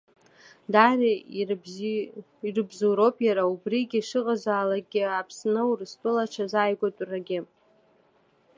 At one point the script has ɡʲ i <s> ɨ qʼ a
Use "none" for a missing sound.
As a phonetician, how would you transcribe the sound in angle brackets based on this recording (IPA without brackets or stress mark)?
ʂ